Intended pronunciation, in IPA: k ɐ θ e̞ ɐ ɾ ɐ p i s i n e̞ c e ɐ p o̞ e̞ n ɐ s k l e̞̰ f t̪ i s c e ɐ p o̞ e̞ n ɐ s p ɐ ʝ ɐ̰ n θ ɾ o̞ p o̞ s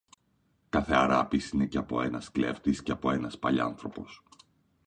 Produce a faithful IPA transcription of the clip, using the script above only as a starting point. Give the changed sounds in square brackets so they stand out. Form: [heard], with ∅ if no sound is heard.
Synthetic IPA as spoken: k ɐ θ e̞ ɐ ɾ ɐ p i s i n e̞ c e ɐ p o̞ e̞ n ɐ s k l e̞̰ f t̪ i s c e ɐ p o̞ e̞ n ɐ s p ɐ [ʎ] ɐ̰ n θ ɾ o̞ p o̞ s